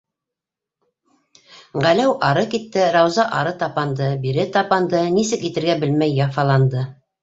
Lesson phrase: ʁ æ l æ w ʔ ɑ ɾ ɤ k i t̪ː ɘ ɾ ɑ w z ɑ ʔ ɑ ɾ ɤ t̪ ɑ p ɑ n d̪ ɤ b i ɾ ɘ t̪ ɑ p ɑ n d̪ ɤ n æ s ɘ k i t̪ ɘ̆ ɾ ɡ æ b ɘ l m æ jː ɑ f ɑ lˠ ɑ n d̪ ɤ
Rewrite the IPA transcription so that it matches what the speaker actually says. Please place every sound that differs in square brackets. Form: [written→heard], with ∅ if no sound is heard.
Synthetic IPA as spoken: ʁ æ l æ w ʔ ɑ ɾ ɤ k i t̪ː ɘ ɾ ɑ w z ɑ ʔ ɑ ɾ ɤ t̪ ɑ p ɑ n d̪ ɤ b i ɾ ɘ t̪ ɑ p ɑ n d̪ ɤ n [æ→i] s ɘ k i t̪ ɘ̆ ɾ ɡ æ b ɘ l m æ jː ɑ f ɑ lˠ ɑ n d̪ ɤ

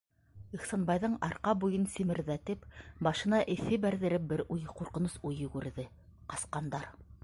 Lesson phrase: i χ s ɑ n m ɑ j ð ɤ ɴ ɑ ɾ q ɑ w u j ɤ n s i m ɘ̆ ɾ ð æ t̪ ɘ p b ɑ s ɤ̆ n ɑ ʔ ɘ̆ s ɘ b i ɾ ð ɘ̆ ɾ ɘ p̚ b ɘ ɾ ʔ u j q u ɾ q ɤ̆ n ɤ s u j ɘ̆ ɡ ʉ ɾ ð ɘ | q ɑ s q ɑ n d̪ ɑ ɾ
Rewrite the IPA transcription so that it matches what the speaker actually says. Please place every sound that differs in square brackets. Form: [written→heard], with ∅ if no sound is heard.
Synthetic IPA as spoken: i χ s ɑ n [m→b] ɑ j ð ɤ ɴ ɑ ɾ q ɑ [w→b] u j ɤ n s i m ɘ̆ ɾ ð æ t̪ ɘ p b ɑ [s→ʃ] ɤ̆ n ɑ ʔ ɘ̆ [s→θ] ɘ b [i→æ] ɾ ð ɘ̆ ɾ ɘ p̚ b ɘ ɾ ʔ u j q u ɾ q ɤ̆ n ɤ s u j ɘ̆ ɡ ʉ ɾ ð ɘ | q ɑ s q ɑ n d̪ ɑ ɾ

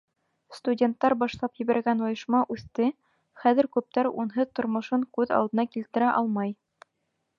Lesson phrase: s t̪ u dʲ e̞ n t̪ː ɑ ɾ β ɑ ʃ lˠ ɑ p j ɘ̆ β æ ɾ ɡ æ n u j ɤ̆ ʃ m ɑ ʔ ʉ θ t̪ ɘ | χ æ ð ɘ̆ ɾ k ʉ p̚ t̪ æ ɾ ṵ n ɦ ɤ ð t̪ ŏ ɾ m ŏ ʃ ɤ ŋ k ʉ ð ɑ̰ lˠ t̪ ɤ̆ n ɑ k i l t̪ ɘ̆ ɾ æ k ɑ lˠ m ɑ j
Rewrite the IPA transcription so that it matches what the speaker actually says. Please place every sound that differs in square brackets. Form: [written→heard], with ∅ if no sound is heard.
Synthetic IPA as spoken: s t̪ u dʲ e̞ n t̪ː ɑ ɾ [β→b] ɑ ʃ lˠ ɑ p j ɘ̆ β æ ɾ ɡ æ n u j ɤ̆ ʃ m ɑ ʔ ʉ θ t̪ ɘ | χ æ ð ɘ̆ ɾ k ʉ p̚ t̪ æ ɾ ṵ n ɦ ɤ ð t̪ ŏ ɾ m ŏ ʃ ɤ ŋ k ʉ ð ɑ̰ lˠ [t̪→d̪] ɤ̆ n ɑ k i l t̪ ɘ̆ ɾ æ [k→ʔ] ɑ lˠ m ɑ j

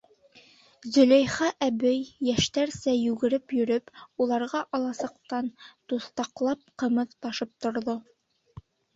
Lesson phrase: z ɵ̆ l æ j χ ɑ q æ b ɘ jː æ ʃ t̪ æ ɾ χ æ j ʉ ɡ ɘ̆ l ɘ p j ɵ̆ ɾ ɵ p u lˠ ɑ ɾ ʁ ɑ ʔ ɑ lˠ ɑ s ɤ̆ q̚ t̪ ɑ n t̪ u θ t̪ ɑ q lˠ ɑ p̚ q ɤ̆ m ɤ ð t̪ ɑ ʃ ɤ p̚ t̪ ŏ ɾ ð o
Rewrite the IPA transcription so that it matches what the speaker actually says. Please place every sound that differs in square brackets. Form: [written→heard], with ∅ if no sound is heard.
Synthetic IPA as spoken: z ɵ̆ l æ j χ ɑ [q→ʔ] æ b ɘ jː æ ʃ t̪ æ ɾ [χ→s] æ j ʉ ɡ ɘ̆ [l→ɾ] ɘ p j ɵ̆ ɾ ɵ p u lˠ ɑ ɾ ʁ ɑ ʔ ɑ lˠ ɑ s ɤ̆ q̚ t̪ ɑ n t̪ u θ t̪ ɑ q lˠ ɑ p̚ q ɤ̆ m ɤ ð t̪ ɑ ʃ ɤ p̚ t̪ ŏ ɾ ð o

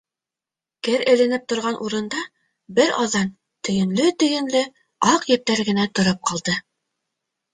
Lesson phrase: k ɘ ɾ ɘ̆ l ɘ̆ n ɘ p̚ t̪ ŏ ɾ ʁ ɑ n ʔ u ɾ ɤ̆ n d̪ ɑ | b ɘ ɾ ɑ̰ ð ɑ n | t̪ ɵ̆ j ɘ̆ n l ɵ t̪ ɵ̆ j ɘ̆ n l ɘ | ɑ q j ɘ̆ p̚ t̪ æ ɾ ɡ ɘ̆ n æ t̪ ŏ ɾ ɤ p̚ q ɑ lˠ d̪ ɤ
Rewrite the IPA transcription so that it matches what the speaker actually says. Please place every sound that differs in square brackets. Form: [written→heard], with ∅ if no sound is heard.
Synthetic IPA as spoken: k ɘ ɾ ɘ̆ l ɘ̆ n ɘ p̚ t̪ ŏ ɾ ʁ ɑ n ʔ u ɾ ɤ̆ n d̪ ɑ | b ɘ ɾ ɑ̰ ð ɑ n | t̪ ɵ̆ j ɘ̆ n l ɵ t̪ ɵ̆ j ɘ̆ n l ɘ | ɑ q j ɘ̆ p̚ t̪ æ ɾ ɡ ɘ̆ n æ t̪ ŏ ɾ ɤ p̚ q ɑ lˠ d̪ ɤ

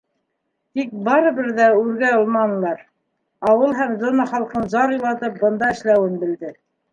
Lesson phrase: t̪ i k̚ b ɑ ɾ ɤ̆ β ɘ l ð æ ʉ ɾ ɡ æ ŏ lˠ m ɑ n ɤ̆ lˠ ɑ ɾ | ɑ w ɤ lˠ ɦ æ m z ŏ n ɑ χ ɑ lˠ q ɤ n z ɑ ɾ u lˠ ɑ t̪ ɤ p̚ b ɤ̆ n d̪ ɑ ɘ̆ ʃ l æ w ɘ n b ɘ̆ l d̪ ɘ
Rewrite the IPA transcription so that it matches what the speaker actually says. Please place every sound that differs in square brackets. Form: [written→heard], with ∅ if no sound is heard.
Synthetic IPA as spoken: t̪ i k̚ b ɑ ɾ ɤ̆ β ɘ [l→ɾ] ð æ ʉ ɾ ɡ æ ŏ lˠ m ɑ n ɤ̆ lˠ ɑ ɾ | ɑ w ɤ lˠ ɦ æ m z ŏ n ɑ χ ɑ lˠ q ɤ n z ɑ ɾ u lˠ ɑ t̪ ɤ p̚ b ɤ̆ n d̪ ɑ ɘ̆ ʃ l æ w ɘ n b ɘ̆ l d̪ ɘ

